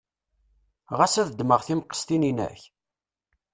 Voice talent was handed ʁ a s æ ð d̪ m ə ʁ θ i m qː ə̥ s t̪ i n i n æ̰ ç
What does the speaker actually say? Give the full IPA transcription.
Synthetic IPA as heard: ʁ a s æ ð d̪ m ə ʁ θ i m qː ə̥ s t̪ i n i n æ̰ ç